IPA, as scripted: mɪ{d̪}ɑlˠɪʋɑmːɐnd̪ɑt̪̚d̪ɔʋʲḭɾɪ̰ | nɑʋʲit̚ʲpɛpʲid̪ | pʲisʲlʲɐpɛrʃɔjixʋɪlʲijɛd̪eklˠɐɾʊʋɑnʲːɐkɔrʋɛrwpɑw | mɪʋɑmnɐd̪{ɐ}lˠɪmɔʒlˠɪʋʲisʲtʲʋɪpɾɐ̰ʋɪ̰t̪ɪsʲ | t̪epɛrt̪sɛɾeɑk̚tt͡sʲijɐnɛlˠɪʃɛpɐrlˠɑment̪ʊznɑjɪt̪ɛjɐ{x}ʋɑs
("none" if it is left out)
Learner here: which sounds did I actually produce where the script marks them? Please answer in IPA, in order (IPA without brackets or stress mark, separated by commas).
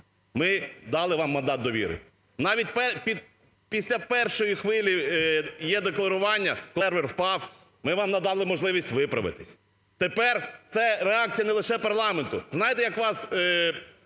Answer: d̪, ɑ, k